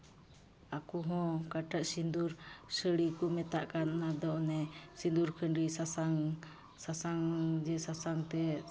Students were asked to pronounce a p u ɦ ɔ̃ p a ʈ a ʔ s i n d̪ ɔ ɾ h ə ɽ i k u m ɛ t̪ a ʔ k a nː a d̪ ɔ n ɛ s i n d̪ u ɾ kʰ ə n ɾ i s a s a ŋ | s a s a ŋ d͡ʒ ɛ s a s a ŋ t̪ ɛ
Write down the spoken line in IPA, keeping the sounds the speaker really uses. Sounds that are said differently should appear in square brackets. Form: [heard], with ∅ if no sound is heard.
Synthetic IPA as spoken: a [k] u ɦ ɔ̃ [k] a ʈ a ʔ s i n d̪ [u] ɾ [s] ə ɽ i k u m ɛ t̪ a ʔ k a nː a d̪ ɔ n ɛ s i n d̪ u ɾ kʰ ə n ɾ i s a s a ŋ | s a s a ŋ d͡ʒ ɛ s a s a ŋ t̪ ɛ